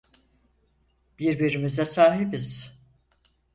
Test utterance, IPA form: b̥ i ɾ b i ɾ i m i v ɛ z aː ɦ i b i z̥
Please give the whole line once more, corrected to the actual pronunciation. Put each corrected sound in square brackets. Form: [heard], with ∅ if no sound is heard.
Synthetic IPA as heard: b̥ i ɾ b i ɾ i m i [z] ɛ [s] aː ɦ i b i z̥